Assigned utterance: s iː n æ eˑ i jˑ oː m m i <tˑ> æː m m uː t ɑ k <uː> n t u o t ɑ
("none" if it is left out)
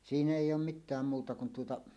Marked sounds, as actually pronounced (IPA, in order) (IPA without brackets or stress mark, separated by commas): tˑ, u